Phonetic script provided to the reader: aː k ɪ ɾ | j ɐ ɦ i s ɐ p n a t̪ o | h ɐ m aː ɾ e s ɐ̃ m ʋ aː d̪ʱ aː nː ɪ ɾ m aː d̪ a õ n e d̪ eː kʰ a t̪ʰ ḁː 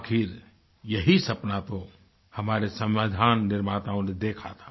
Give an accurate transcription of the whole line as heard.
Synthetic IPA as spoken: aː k ɪ ɾ | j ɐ ɦ i s ɐ p n a t̪ o | h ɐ m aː ɾ e s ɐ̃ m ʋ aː d̪ʱ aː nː ɪ ɾ m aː t̪ a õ n e d̪ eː kʰ a t̪ʰ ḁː